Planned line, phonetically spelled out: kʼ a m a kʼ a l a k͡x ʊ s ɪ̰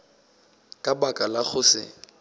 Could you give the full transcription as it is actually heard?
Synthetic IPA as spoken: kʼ a b a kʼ a l a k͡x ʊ s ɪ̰